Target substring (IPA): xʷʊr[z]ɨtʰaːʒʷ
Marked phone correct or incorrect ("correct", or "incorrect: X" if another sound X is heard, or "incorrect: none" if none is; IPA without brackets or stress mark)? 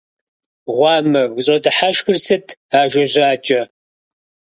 incorrect: s